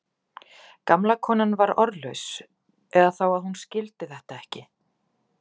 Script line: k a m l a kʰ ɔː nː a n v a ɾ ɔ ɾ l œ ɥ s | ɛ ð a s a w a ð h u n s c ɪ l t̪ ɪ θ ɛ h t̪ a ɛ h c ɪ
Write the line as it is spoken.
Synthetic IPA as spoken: k a m l a kʰ ɔː n a n v a ɾ ɔ ɾ l œ ɥ s | ɛ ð a θ a w a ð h u n s c ɪ l t̪ ɪ θ ɛ h t̪ a ɛ h c ɪ